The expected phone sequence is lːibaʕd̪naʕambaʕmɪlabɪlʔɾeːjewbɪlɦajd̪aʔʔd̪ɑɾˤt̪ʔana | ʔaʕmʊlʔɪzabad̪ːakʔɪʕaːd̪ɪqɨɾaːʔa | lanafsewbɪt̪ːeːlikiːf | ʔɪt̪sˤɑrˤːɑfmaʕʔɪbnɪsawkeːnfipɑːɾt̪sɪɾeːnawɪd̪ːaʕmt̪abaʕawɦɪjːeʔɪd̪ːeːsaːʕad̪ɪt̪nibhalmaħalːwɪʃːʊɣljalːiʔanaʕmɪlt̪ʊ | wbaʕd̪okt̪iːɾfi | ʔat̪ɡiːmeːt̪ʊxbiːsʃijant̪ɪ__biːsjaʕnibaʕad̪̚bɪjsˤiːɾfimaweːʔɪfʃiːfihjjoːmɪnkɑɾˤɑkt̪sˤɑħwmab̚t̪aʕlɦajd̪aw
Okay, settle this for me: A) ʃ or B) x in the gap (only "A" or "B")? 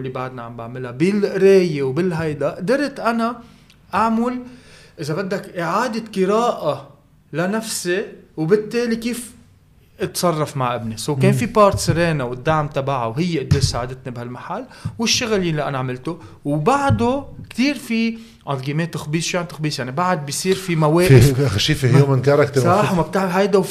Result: B